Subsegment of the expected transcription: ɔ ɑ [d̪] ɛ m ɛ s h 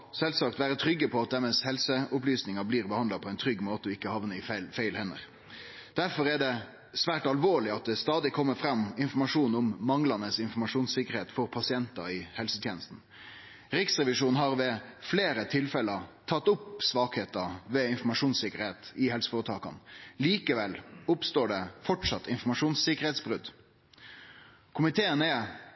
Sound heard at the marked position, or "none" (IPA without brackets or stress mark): t̪